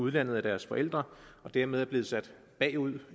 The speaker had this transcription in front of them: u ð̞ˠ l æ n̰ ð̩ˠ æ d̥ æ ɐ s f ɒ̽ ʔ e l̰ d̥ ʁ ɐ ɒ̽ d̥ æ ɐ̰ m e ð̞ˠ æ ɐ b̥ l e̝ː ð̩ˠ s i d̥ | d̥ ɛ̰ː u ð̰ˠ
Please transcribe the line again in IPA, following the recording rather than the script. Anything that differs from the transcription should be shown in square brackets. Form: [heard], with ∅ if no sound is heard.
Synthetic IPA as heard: u ð̞ˠ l æ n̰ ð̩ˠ æ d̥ æ ɐ s f ɒ̽ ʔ e l̰ d̥ ʁ ɐ ɒ̽ d̥ æ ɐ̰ m e ð̞ˠ æ ɐ b̥ l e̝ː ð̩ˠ s [æ] d̥ | [b̥] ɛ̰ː u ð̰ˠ